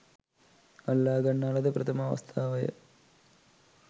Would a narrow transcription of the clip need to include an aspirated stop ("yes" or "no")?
yes